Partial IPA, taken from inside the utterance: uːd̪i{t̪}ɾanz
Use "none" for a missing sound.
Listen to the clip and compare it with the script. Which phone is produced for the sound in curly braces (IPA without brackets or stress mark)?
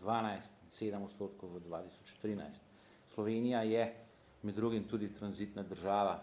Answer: t̪